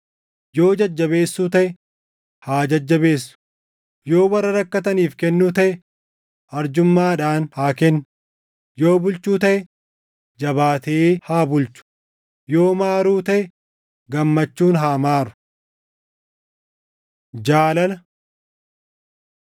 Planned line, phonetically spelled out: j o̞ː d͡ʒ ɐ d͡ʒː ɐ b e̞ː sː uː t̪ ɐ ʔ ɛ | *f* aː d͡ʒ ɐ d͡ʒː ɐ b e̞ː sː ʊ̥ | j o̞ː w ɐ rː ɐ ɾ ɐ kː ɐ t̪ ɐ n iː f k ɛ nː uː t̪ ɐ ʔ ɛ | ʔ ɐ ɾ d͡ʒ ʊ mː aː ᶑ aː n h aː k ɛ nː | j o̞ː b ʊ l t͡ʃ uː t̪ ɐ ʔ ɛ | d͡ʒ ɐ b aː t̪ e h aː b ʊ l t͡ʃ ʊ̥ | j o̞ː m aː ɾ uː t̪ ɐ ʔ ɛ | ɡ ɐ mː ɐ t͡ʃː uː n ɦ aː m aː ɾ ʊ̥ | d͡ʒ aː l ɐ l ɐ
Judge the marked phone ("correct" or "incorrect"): incorrect